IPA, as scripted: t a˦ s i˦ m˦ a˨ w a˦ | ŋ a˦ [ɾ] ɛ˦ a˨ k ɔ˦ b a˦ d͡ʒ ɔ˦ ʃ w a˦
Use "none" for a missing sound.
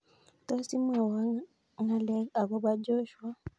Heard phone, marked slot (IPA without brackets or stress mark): l